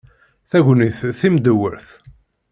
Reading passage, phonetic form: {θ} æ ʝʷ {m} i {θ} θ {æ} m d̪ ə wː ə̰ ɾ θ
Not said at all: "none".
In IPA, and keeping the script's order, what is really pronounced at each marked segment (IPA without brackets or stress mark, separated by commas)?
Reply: θ, n, θ, i